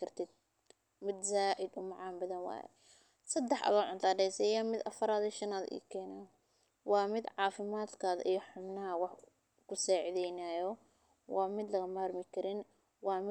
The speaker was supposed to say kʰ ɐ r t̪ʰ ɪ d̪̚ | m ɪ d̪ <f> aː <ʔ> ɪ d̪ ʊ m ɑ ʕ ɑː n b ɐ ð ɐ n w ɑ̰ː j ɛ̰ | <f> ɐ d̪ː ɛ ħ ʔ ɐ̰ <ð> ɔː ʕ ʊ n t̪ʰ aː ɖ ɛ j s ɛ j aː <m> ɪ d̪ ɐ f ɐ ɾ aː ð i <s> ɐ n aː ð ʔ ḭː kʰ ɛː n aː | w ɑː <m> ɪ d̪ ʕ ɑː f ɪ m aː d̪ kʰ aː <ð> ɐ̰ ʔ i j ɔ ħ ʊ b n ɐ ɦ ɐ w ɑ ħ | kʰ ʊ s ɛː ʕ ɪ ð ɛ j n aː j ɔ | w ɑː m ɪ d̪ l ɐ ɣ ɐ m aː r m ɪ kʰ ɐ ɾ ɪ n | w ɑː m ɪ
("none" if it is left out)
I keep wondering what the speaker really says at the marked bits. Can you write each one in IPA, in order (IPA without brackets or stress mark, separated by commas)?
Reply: s, ʔ, s, ð, m, ʃ, m, ð